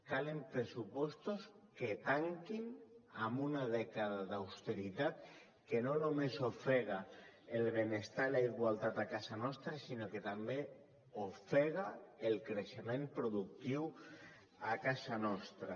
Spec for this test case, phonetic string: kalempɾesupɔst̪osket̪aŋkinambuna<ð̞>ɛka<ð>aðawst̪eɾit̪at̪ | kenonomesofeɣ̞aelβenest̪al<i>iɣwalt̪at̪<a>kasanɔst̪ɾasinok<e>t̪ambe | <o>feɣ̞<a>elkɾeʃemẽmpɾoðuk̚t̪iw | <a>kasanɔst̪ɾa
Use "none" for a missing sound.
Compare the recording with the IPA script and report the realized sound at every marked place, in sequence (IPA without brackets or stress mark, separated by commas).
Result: ð̞, ð, a, a, e, o, a, a